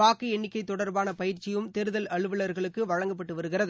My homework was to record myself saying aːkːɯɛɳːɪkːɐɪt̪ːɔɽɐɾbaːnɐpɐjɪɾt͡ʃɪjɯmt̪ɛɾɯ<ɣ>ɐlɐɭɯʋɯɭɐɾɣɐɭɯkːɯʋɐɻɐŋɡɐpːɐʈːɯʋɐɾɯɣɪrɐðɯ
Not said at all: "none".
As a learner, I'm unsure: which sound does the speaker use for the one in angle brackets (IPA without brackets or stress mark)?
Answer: ð